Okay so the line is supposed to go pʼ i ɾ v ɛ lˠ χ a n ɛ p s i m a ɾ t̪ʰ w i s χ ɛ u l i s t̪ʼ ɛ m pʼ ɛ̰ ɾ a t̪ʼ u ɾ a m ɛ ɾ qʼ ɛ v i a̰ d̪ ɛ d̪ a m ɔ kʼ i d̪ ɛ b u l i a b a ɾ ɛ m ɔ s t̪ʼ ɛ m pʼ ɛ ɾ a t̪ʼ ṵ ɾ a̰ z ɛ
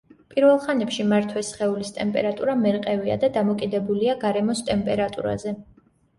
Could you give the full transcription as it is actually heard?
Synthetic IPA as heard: pʼ i ɾ v ɛ lˠ χ a n ɛ p ʃ i m a ɾ t̪ʰ w ɛ s χ ɛ u l i s t̪ʼ ɛ m pʼ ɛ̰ ɾ a t̪ʼ u ɾ a m ɛ ɾ qʼ ɛ v i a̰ d̪ a d̪ a m ɔ kʼ i d̪ ɛ b u l i a ɡ a ɾ ɛ m ɔ s t̪ʼ ɛ m pʼ ɛ ɾ a t̪ʼ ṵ ɾ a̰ z ɛ